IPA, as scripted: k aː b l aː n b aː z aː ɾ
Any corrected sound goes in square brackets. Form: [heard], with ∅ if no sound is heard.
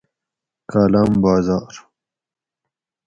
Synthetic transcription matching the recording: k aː [∅] l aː [m] b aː z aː ɾ